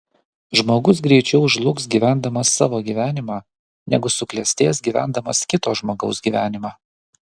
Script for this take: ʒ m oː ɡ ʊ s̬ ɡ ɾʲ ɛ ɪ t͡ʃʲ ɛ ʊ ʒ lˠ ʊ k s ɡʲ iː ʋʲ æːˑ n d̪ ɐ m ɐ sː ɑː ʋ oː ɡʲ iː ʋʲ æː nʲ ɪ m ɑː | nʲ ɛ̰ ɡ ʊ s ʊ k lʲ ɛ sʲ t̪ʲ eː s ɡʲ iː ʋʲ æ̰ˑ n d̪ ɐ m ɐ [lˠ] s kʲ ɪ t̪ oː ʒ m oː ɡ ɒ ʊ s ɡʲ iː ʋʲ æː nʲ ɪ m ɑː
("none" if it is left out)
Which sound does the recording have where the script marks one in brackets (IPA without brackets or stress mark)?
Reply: none